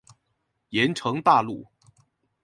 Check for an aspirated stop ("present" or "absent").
present